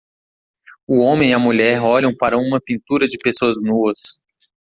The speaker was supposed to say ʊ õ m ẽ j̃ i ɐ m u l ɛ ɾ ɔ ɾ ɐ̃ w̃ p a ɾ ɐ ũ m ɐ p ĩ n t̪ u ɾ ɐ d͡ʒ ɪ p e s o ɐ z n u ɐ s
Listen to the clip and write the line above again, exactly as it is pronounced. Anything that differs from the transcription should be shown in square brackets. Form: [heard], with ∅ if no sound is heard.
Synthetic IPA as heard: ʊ õ m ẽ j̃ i ɐ m u [ʎ] ɛ ɾ ɔ [ʎ] ɐ̃ w̃ p a ɾ ɐ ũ m ɐ p ĩ n t̪ u ɾ ɐ d͡ʒ ɪ p e s o ɐ z n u ɐ s